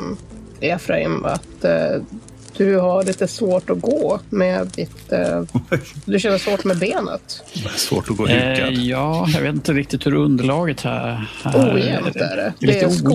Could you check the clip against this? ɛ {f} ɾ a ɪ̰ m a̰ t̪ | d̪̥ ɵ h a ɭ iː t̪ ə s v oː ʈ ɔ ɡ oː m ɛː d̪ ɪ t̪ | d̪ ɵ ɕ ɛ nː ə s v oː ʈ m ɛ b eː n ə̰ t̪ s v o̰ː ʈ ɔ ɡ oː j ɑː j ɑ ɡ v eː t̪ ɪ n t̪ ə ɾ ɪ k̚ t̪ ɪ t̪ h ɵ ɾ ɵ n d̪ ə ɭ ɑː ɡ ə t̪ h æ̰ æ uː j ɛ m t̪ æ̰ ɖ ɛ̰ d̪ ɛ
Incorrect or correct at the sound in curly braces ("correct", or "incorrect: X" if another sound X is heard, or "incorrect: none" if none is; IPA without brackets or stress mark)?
correct